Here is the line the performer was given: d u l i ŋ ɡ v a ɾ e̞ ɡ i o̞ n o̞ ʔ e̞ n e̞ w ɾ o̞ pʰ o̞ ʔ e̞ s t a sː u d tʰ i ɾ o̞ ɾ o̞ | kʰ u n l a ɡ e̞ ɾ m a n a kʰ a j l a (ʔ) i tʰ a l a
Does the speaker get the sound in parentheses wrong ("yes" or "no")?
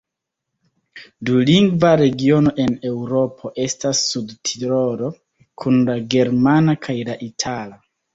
no